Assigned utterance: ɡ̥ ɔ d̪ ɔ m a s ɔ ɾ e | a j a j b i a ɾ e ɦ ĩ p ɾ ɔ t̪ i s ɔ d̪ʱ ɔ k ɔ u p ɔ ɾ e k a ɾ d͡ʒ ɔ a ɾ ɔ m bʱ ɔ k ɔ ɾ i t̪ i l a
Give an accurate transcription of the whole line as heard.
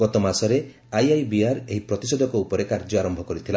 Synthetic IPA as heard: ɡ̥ ɔ t̪ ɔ m a s ɔ ɾ e | a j a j b i a ɾ e ɦ i p ɾ ɔ t̪ i s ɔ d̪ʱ ɔ k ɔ u p ɔ ɾ e k a ɾ d͡ʒ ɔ a ɾ ɔ m bʱ ɔ k ɔ ɾ i t̪ʰ i l a

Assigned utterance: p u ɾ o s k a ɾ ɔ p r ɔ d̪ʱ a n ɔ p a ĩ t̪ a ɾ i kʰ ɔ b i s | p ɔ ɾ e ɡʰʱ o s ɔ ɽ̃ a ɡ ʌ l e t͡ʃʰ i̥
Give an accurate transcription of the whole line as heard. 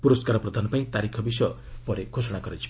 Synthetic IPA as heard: p u ɾ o s k a ɾ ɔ p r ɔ d̪ʱ a n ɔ p a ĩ t̪ a ɾ i kʰ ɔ b i s | p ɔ ɾ e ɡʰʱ o s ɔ ɽ̃ a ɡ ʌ ɾ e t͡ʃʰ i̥

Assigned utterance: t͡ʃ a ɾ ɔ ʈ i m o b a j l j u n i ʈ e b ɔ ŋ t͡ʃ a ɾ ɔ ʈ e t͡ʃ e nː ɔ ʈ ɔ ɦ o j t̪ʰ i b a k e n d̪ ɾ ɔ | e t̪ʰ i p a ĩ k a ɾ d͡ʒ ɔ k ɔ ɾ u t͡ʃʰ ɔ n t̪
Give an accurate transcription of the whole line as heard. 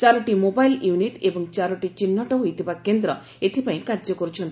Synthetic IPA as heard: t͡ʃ a ɾ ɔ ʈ i m o b a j l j u n i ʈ e b ɔ ŋ t͡ʃ a ɾ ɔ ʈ i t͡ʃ i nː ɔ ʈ ɔ ɦ o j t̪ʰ i b a k e n d̪ ɾ ɔ | e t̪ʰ i p a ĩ k a ɾ d͡ʒ ɔ k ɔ ɾ u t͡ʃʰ ɔ n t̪

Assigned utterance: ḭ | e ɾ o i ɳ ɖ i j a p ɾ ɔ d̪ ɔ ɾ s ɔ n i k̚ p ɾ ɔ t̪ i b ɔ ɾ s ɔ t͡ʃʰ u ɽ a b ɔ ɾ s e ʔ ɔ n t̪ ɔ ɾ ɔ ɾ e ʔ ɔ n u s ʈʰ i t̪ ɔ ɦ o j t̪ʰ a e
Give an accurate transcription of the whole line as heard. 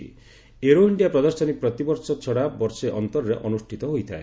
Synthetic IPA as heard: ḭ | e ɾ o i ɳ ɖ i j a p ɾ ɔ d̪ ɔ ɾ s ɔ n i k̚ p ɾ ɔ t̪ i b ɔ ɾ s ɔ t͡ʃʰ ɔ ɽ a b ɔ ɾ s e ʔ ɔ n t̪ ɔ ɾ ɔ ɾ e ʔ ɔ n u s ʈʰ i t̪ ɔ ɦ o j t̪ʰ a e

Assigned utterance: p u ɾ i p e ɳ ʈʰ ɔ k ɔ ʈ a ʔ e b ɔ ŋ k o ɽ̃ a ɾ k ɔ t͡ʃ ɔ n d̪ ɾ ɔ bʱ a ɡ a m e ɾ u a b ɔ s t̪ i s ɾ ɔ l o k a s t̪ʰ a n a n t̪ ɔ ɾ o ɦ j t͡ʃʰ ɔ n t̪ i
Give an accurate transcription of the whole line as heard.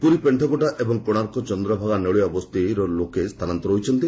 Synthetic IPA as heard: p u ɾ i p e ɳ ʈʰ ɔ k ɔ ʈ a ʔ e b ɔ ŋ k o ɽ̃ a ɾ k ɔ t͡ʃ ɔ n d̪ ɾ ɔ bʱ a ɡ a n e ɭ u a b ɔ s t̪ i ɾ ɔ l o k e s t̪ʰ a n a n t̪ ɔ ɾ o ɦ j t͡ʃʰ ɔ n t̪ i

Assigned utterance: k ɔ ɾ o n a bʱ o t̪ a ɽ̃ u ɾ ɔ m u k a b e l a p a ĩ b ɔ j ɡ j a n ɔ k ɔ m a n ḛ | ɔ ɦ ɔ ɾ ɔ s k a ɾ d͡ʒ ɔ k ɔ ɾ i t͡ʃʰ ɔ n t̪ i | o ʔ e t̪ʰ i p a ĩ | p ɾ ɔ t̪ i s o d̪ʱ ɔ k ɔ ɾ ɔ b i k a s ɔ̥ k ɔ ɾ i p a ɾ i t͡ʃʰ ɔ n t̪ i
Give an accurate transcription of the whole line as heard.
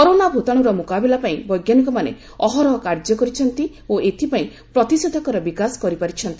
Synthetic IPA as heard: k ɔ ɾ o n a bʱ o t̪ a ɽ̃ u ɾ ɔ m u k a b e l a p a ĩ b ɔ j ɡ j a n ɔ k ɔ m a n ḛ | ɔ ɦ ɔ ɾ ɔ k a ɾ d͡ʒ ɔ k ɔ ɾ i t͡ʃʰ ɔ n t̪ i | o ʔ e t̪ʰ i p a ĩ | p ɾ ɔ t̪ i s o d̪ʱ ɔ k ɔ ɾ ɔ b i k a s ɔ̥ k ɔ ɾ i p a ɾ i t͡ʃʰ ɔ n t̪ i

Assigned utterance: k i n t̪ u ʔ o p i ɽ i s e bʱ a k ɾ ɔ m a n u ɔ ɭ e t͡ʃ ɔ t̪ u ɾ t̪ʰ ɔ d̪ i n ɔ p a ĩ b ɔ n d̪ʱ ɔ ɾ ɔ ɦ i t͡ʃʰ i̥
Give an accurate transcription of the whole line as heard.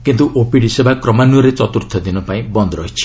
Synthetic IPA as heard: k i n t̪ u ʔ o p i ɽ i s e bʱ a k ɾ ɔ m a n u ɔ ɾ e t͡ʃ ɔ t̪ u ɾ t̪ʰ ɔ d̪ i n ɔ p a ĩ b ɔ n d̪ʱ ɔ ɾ ɔ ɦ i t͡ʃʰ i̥

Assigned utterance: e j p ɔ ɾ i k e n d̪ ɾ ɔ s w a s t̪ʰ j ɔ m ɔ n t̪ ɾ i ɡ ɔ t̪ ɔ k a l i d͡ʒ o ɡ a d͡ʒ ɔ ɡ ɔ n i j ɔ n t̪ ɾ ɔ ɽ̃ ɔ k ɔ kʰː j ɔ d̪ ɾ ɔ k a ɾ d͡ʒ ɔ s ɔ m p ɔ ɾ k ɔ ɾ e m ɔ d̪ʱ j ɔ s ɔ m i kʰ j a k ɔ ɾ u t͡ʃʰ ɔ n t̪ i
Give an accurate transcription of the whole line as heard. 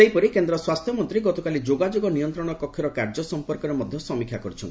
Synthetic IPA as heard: e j p ɔ ɾ i k e n d̪ ɾ ɔ s w a s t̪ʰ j ɔ m ɔ n t̪ ɾ i ɡ ɔ t̪ ɔ k a l i d͡ʒ o ɡ a d͡ʒ o ɡ ɔ n i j ɔ n t̪ ɾ ɔ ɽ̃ ɔ k ɔ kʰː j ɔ ɾ ɔ k a ɾ d͡ʒ ɔ s ɔ m p ɔ ɾ k ɔ ɾ e m ɔ d̪ʱ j ɔ s ɔ m i kʰ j a k ɔ ɾ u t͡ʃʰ ɔ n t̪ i

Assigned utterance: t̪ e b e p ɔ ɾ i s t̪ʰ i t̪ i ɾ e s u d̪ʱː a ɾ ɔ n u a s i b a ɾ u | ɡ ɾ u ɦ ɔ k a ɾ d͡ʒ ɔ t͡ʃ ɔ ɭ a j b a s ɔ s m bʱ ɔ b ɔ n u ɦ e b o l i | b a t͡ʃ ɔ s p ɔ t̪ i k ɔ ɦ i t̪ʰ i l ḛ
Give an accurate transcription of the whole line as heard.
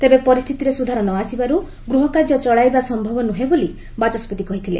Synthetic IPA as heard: t̪ e b e p ɔ ɾ i s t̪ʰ i t̪ i ɾ e s u d̪ʱ a ɾ ɔ n ɔ a s i b a ɾ u | ɡ ɾ u ɦ ɔ k a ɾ d͡ʒ ɔ t͡ʃ ɔ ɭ a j b a s ɔ m bʱ ɔ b ɔ n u ɦ e b o l i | b a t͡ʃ ɔ s p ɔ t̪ i k ɔ ɦ i t̪ʰ i l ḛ

